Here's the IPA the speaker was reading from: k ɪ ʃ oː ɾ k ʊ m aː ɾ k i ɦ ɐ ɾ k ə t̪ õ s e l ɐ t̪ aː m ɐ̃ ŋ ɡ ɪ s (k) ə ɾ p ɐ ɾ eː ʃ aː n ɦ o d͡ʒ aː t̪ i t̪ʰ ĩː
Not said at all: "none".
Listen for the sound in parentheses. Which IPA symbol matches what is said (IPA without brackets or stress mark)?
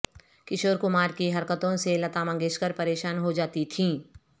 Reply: k